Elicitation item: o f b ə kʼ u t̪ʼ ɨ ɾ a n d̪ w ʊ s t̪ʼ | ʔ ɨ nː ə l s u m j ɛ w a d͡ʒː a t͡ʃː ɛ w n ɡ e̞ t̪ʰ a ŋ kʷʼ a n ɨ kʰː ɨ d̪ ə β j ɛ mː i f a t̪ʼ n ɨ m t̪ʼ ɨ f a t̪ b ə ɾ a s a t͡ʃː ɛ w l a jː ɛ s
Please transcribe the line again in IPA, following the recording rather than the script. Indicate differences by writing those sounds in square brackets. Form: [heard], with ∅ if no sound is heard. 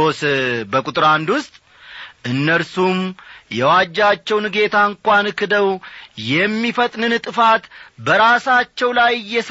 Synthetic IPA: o [s] b ə kʼ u t̪ʼ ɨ ɾ a n d̪ w ʊ s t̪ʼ | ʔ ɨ nː ə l s u m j ɛ w a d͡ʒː a t͡ʃː ɛ w n ɡ e̞ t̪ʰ a ŋ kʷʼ a n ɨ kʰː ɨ d̪ ə [w] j ɛ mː i f [ə] t̪ʼ n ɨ [n] t̪ʼ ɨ f a t̪ b ə ɾ a s a t͡ʃː ɛ w l a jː ɛ s